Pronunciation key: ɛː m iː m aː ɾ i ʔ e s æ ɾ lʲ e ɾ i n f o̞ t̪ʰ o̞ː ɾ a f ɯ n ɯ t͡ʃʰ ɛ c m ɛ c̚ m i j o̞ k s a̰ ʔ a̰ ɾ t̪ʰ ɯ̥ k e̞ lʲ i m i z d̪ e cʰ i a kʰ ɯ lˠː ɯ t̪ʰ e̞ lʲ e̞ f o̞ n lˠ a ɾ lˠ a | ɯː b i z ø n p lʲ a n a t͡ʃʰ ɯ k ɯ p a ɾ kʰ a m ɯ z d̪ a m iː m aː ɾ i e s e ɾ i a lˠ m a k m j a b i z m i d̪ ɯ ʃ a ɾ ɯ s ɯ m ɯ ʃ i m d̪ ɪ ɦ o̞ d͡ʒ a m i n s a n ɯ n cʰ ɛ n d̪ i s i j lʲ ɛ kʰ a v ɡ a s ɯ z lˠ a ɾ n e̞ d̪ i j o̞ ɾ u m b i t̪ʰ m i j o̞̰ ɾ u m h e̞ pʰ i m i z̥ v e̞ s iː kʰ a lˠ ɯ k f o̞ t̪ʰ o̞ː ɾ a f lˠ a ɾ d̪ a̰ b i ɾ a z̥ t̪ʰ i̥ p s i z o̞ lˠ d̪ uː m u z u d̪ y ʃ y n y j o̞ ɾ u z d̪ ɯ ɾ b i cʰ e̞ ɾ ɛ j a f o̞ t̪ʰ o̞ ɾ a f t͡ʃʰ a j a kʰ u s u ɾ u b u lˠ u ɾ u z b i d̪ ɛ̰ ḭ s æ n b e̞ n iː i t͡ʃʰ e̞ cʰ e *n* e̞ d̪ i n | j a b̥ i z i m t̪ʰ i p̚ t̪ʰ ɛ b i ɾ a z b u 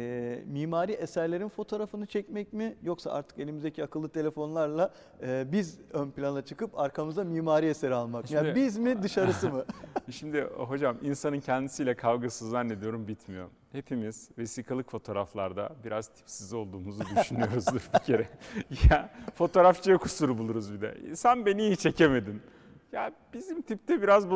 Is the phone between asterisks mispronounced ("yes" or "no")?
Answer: yes